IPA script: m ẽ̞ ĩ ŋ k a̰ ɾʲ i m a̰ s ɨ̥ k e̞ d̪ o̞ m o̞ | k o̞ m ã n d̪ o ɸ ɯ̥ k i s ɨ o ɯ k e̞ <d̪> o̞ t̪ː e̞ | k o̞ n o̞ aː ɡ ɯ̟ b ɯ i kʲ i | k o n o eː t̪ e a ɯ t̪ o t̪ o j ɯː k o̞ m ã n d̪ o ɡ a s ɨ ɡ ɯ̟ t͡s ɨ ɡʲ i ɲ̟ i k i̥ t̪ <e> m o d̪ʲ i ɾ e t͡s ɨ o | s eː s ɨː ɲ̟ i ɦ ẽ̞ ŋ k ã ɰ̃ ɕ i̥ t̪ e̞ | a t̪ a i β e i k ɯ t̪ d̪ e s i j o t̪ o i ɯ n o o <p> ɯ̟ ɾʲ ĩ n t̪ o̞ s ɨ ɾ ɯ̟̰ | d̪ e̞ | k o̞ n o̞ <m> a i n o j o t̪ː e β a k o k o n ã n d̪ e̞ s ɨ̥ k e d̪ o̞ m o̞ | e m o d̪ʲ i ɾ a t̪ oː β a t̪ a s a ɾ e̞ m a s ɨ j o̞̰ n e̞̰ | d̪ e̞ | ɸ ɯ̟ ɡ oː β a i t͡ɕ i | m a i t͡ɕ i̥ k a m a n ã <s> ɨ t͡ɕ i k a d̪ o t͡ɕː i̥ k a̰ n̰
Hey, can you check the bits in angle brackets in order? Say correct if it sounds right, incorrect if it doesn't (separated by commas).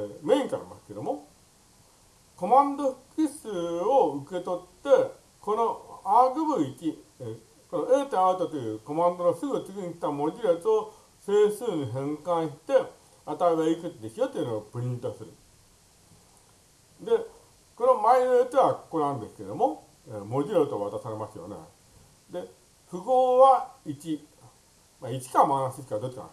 incorrect, incorrect, correct, correct, correct